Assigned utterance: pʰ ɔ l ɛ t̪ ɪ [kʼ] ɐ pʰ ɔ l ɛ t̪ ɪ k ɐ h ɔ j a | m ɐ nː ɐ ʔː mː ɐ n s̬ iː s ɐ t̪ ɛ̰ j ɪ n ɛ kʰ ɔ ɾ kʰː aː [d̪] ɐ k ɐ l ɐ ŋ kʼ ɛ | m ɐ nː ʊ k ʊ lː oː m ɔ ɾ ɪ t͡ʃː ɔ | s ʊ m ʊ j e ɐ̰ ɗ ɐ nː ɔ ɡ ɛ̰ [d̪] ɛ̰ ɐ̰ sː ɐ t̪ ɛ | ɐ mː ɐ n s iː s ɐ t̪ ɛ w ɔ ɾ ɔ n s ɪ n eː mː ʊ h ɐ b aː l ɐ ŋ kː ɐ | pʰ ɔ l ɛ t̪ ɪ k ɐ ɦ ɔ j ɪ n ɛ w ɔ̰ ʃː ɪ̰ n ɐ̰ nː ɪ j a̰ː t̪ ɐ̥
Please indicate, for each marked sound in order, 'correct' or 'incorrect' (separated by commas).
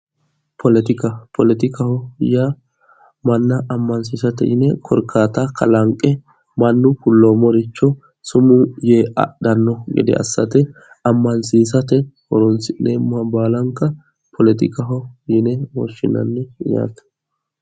incorrect, incorrect, correct